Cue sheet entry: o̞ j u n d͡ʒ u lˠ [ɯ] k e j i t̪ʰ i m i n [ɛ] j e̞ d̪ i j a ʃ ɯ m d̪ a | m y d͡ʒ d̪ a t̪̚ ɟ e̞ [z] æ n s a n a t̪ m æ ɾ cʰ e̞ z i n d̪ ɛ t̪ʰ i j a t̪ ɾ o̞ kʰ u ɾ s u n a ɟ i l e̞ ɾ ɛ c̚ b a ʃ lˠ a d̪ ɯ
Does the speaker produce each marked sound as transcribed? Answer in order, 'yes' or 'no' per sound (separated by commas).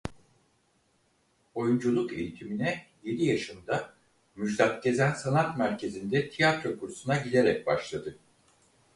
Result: no, yes, yes